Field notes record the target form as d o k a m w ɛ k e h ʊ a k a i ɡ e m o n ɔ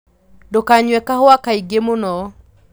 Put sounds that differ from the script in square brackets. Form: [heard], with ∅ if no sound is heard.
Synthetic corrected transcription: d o k a [ɲ] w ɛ k [a] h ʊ a k a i ɡ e m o n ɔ